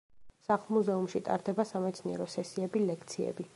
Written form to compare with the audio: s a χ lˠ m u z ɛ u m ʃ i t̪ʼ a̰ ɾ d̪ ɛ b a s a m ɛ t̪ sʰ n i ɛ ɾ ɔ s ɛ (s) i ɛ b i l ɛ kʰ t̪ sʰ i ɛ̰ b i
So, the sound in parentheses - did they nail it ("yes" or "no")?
yes